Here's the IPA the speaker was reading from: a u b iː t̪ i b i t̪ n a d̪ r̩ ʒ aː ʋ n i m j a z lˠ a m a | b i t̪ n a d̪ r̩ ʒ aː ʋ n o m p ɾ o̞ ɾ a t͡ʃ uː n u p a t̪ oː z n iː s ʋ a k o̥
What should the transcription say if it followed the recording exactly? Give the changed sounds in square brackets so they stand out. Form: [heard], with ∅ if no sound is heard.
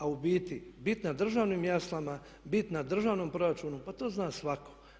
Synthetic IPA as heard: a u b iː t̪ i b i t̪ n a d̪ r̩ ʒ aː ʋ n i m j a [s] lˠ a m a | b i t̪ n a d̪ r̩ ʒ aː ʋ n o m p ɾ o̞ ɾ a t͡ʃ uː n u p a t̪ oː z n [aː] s ʋ a k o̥